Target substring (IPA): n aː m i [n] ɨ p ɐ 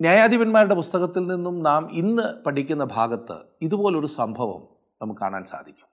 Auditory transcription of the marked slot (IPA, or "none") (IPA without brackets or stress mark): nː